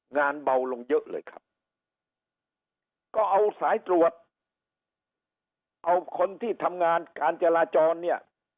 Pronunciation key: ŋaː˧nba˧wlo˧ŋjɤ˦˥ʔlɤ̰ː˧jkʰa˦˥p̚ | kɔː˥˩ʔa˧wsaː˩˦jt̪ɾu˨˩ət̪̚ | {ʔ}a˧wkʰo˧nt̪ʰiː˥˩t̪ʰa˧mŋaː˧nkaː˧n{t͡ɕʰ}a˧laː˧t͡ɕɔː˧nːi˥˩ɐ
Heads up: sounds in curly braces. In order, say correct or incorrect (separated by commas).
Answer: correct, incorrect